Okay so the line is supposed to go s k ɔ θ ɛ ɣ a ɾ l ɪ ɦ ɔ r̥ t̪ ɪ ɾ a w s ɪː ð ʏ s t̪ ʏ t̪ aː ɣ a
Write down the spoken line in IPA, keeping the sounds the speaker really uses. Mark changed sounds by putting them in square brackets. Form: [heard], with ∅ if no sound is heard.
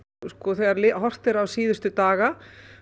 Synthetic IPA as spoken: s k ɔ θ ɛ ɣ a ɾ l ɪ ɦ ɔ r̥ t̪ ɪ ɾ a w s [iː] ð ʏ s t̪ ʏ t̪ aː ɣ a